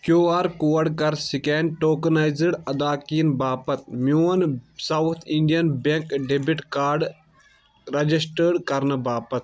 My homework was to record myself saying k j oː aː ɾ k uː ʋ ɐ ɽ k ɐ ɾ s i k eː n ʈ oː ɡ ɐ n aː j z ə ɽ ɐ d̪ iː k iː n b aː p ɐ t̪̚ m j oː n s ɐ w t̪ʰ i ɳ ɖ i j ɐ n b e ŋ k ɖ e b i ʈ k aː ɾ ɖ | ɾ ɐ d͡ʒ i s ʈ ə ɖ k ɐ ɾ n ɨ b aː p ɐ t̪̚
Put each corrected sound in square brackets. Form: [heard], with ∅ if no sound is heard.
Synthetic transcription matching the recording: k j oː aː ɾ k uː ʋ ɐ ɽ k ɐ ɾ s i k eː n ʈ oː [k] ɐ n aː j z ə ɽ ɐ d̪ [aː] k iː n b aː p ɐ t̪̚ m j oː n s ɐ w t̪ʰ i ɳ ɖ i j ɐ n b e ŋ k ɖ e b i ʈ k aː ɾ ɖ | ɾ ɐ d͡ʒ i s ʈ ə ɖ k ɐ ɾ n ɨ b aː p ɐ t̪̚

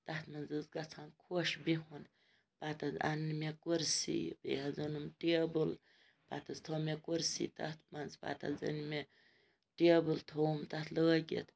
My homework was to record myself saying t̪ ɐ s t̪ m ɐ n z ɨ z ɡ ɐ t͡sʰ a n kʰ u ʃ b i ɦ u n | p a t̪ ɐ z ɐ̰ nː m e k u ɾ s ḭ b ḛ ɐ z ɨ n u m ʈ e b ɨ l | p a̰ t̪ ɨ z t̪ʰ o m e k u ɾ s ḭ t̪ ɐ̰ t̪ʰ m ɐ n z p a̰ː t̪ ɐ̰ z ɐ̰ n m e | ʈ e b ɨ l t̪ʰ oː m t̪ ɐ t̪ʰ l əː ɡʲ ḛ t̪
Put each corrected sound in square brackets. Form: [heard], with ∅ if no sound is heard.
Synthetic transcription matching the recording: t̪ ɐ [∅] t̪ m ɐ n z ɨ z ɡ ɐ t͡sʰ a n kʰ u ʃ b i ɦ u n | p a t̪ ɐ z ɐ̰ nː m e k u ɾ s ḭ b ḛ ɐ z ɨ n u m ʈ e b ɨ l | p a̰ t̪ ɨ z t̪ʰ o m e k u ɾ s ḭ t̪ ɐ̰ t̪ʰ m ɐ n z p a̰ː t̪ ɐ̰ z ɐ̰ n m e | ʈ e b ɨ l t̪ʰ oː m t̪ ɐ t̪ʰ l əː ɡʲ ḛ t̪

